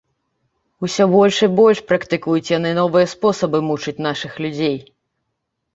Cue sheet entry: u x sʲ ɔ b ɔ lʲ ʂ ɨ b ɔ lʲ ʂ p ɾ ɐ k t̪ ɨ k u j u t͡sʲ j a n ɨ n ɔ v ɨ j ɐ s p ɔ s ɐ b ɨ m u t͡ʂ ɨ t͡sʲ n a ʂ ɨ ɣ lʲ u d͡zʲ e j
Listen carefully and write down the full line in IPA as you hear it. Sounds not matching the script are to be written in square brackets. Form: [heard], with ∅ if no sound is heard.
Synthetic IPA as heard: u [∅] sʲ ɔ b ɔ lʲ ʂ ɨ b ɔ lʲ ʂ p ɾ ɐ k t̪ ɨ k u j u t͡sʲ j a n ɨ n ɔ v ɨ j ɐ s p ɔ s ɐ b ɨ m u t͡ʂ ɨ t͡sʲ n a ʂ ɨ [x] lʲ u d͡zʲ e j